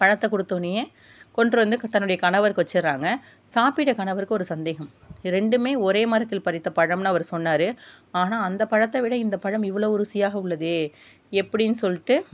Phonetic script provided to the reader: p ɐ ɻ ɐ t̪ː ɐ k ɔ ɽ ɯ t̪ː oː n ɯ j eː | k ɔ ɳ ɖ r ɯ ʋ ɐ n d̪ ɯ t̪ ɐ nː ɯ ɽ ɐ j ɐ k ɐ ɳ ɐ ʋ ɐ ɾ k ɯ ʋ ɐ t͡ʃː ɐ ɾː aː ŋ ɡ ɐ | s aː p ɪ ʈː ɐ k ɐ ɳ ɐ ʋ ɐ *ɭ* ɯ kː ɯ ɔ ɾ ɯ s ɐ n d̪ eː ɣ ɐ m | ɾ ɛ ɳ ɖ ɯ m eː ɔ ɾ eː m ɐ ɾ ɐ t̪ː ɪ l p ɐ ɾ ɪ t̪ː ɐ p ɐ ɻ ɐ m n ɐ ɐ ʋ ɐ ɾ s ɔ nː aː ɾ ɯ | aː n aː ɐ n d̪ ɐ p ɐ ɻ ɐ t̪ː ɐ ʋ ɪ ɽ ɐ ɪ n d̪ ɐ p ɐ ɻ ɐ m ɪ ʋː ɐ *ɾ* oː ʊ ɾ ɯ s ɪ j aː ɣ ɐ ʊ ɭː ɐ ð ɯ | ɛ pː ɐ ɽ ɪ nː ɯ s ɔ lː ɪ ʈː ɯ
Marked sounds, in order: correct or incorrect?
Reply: incorrect, incorrect

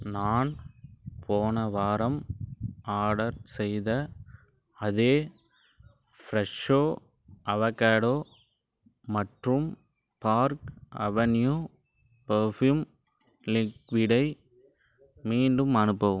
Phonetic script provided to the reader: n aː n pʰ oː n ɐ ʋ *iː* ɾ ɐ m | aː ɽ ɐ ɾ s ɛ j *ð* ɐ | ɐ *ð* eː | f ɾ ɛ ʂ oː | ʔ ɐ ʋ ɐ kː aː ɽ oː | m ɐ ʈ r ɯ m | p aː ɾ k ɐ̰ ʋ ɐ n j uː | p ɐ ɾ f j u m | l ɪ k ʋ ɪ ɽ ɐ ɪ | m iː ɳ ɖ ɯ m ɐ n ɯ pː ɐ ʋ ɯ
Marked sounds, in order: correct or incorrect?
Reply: incorrect, correct, correct

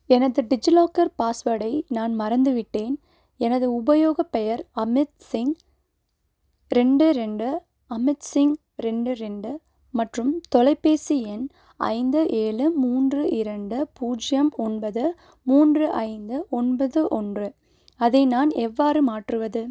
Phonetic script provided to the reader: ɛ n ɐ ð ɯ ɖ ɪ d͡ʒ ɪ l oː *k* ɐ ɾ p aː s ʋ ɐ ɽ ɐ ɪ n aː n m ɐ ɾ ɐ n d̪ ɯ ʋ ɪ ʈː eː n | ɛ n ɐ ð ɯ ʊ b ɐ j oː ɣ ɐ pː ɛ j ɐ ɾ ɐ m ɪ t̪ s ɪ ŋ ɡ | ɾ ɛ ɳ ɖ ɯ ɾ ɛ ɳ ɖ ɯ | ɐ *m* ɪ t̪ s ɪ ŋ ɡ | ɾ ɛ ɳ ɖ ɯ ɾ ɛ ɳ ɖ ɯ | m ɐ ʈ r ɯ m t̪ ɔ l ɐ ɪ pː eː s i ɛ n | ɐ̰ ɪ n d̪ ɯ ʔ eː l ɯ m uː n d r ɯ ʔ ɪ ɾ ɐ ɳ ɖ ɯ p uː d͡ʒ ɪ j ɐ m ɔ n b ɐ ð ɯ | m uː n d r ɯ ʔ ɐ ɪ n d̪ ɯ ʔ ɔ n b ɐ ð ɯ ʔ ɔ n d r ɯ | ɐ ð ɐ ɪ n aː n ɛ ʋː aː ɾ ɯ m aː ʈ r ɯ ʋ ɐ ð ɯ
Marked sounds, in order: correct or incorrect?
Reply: correct, correct

